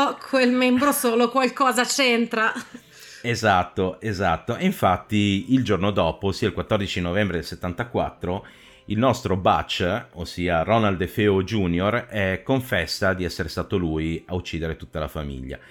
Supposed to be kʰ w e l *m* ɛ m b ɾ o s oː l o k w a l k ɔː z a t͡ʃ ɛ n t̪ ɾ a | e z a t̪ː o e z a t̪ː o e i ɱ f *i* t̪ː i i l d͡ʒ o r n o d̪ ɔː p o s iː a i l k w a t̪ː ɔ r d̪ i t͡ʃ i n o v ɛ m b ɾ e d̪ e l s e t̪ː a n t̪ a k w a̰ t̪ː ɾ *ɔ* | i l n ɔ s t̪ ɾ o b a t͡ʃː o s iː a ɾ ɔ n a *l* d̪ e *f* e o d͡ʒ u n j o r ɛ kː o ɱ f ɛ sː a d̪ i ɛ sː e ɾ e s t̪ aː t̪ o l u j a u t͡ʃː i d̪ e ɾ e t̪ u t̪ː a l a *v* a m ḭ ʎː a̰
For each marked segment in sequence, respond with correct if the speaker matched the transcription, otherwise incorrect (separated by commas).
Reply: correct, incorrect, incorrect, correct, correct, incorrect